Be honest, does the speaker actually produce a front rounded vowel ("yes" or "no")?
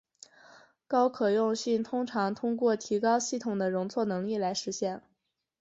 no